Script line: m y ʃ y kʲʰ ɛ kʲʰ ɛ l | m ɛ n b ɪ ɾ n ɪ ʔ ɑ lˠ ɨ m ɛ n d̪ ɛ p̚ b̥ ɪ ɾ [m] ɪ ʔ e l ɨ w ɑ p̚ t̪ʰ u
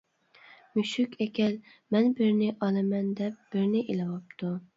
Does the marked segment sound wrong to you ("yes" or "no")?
yes